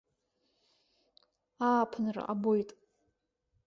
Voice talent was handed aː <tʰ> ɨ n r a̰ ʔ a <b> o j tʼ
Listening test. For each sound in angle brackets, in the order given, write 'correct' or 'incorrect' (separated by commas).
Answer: incorrect, correct